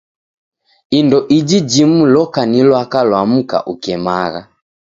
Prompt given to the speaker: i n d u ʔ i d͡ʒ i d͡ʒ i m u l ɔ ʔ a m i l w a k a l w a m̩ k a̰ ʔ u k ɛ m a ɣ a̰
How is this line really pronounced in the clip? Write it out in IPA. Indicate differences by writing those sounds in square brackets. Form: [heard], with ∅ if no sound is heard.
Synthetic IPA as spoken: i n d [ɔ] ʔ i d͡ʒ i d͡ʒ i m u l ɔ [k] a [n] i l w a k a l w a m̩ k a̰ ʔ u k ɛ m a ɣ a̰